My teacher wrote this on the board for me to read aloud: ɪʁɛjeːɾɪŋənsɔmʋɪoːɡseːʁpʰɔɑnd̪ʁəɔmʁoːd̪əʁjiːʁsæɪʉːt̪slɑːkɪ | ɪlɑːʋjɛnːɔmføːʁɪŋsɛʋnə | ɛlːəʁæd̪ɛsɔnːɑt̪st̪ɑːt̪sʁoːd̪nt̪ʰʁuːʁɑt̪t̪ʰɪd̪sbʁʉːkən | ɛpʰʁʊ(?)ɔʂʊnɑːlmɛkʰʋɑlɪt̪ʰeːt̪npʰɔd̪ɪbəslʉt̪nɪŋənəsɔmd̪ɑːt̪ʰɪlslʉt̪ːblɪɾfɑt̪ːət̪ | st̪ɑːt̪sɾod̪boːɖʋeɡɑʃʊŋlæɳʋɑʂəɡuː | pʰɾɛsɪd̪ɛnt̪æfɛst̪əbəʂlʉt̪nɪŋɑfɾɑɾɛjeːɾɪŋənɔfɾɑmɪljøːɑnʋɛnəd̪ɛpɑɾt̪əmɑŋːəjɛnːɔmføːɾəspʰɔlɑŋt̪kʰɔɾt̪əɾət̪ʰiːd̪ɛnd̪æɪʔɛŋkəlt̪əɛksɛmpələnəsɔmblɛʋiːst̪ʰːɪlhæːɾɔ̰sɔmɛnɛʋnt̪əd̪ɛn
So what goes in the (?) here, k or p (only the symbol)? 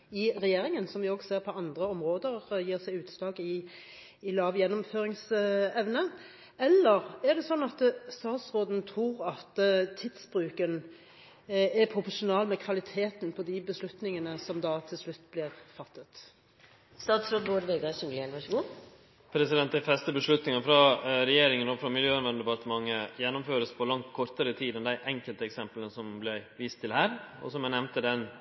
p